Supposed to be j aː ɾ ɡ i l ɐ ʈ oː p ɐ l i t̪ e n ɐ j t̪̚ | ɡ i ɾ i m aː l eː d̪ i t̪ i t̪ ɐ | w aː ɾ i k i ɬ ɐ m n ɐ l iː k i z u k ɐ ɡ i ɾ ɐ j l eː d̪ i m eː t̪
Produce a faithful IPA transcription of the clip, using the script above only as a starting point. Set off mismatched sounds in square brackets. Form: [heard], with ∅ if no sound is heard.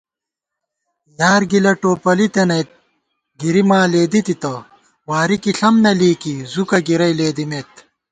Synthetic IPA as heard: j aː ɾ ɡ i l ɐ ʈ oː p ɐ l i t̪ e n ɐ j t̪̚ | ɡ i ɾ i m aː l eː d̪ i t̪ i t̪ ɐ | w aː ɾ i k i ɬ ɐ m n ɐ l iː k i z u k ɐ ɡ i ɾ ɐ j l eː d̪ i m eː t̪